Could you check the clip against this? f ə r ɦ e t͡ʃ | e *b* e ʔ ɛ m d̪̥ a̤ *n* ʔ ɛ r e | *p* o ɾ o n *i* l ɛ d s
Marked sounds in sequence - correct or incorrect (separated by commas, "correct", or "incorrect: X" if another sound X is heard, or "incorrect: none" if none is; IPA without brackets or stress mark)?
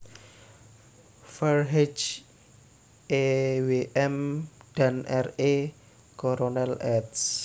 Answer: incorrect: w, correct, incorrect: k, incorrect: ɛ